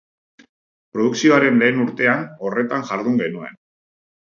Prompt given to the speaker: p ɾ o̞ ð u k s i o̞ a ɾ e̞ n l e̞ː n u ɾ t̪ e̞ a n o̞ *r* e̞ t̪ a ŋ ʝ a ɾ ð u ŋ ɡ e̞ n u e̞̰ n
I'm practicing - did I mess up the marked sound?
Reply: no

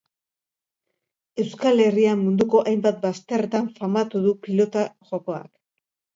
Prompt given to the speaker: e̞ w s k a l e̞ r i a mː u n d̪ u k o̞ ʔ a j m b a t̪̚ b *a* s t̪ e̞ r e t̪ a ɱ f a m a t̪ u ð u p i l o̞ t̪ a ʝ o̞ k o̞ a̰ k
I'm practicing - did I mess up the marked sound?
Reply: no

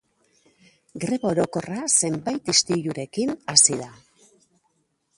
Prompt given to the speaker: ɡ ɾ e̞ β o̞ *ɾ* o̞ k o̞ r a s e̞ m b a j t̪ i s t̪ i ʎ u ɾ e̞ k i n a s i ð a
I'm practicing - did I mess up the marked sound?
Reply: no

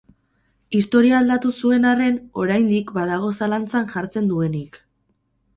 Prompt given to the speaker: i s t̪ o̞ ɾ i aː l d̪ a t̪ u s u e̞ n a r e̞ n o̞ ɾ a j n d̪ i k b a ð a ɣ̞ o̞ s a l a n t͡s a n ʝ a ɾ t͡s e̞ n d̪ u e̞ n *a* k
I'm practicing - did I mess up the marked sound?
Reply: yes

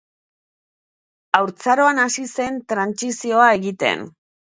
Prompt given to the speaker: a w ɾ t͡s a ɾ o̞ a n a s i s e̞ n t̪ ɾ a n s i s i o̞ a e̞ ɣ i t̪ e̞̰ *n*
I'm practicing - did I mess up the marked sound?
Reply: no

